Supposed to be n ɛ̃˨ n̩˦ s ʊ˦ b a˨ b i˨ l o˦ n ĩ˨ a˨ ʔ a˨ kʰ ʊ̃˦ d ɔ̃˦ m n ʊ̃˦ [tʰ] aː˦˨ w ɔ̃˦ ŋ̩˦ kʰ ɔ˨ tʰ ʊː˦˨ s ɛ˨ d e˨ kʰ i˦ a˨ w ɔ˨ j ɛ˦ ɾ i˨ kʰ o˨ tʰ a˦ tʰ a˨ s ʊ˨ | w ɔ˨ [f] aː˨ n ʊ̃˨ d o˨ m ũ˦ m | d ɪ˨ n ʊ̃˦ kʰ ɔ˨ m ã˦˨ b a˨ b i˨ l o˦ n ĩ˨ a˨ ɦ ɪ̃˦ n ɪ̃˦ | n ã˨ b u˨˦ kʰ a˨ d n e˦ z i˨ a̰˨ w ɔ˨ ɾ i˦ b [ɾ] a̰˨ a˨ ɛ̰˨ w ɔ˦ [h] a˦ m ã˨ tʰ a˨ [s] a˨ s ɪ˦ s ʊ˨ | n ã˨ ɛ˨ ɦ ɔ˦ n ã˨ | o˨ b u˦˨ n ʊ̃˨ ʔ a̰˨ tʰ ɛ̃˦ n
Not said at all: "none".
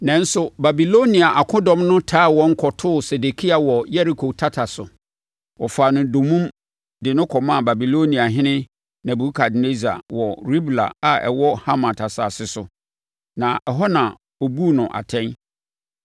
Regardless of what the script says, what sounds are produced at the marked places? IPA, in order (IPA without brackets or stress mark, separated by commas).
tʰ, f, l, h, s